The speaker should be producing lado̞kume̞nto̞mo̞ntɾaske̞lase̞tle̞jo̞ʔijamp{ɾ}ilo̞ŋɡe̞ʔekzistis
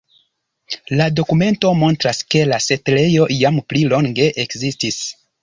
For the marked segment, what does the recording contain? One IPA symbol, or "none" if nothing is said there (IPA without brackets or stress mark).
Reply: l